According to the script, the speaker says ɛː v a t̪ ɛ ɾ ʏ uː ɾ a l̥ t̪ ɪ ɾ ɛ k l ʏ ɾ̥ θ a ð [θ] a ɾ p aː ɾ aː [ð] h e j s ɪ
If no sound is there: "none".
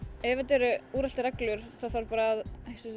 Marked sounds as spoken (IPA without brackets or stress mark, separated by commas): θ, ð